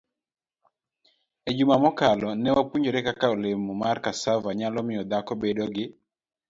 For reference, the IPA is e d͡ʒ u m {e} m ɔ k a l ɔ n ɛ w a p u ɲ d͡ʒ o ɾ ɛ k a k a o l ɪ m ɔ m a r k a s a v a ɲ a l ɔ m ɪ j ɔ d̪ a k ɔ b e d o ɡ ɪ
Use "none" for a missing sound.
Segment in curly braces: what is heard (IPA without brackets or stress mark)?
a